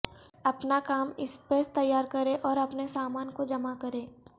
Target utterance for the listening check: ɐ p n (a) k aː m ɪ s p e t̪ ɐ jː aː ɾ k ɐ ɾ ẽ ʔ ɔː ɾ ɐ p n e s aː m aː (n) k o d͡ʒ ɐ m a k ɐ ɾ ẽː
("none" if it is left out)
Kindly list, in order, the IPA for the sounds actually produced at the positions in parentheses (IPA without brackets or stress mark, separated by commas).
a, n